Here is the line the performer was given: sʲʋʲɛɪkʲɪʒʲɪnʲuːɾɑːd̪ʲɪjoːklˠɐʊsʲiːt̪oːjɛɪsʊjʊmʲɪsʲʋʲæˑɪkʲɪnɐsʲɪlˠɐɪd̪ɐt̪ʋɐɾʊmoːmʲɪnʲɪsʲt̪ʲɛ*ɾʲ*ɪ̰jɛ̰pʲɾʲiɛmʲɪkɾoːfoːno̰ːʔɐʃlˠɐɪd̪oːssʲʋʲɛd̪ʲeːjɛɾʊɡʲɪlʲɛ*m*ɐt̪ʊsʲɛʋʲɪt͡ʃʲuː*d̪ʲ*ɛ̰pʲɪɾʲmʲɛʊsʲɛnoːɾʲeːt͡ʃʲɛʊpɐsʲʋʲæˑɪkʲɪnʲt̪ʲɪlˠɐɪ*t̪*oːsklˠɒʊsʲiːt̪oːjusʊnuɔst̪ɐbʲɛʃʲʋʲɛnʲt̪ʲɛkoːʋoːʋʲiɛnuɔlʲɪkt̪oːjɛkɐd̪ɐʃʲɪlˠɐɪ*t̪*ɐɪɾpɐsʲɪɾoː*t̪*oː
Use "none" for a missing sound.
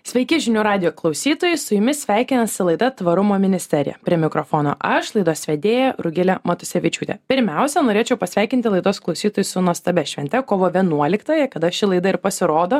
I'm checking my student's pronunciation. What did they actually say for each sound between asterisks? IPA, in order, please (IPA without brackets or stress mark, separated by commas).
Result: ɾʲ, m, t̪ʲ, d̪, d̪, d̪